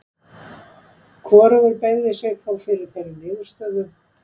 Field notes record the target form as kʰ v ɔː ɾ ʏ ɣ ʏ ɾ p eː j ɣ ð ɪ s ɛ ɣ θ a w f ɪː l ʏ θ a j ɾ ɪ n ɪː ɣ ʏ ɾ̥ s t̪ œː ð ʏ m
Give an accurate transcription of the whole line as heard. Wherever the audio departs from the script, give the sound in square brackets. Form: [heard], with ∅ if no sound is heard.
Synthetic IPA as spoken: kʰ v ɔː ɾ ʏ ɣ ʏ ɾ p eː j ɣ ð ɪ s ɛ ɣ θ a w f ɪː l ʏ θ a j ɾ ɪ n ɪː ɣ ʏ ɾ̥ s t̪ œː ð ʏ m